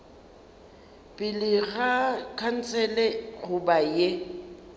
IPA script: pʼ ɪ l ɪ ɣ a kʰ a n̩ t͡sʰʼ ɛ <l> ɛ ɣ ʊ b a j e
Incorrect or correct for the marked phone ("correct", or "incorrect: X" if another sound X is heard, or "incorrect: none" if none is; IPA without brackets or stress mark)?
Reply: correct